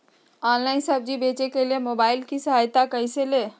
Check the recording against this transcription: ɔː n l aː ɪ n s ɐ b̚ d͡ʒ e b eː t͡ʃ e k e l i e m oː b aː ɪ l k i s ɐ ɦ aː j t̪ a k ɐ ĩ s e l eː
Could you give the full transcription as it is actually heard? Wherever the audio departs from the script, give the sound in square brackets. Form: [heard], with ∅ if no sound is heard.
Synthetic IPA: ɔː n l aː ɪ n s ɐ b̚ d͡ʒ [i] b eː t͡ʃ e k e l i e m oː b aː ɪ l k i s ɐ ɦ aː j t̪ a k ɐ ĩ s e l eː